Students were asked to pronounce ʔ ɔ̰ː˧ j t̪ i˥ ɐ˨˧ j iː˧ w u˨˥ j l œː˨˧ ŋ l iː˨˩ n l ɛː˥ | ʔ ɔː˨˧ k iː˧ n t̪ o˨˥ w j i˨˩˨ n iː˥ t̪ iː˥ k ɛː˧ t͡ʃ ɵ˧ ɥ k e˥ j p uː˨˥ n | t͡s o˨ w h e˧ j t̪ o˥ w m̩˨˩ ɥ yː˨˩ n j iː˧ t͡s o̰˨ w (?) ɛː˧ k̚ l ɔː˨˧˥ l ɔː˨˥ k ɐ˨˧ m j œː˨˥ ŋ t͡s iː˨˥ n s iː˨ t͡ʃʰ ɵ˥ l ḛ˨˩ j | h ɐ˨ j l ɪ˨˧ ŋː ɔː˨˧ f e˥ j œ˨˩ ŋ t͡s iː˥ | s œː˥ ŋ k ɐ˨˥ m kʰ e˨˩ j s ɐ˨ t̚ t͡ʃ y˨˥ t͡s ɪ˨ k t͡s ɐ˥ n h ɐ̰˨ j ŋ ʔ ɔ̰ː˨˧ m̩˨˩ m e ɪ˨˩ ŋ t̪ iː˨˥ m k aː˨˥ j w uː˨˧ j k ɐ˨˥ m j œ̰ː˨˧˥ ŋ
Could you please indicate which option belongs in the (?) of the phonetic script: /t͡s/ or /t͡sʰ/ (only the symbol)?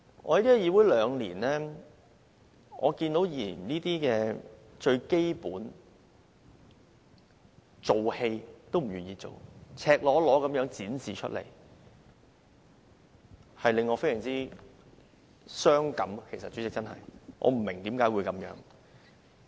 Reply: t͡sʰ